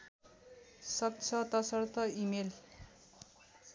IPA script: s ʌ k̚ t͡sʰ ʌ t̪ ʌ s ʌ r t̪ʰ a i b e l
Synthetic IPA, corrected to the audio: s ʌ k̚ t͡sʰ ʌ t̪ ʌ s ʌ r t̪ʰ ʌ i m e l